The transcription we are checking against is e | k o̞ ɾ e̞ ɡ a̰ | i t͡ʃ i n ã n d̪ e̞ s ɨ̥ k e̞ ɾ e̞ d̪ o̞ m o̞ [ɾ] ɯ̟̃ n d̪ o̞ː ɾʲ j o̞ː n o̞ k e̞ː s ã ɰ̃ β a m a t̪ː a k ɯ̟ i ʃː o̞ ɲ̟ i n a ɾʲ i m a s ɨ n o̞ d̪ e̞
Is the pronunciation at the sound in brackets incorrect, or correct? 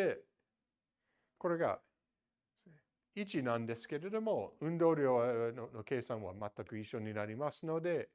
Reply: incorrect